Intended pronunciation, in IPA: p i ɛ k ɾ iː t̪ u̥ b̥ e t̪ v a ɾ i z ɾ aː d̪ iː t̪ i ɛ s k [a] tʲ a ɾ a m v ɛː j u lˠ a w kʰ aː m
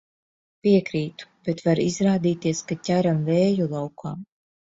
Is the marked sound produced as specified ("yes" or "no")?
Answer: yes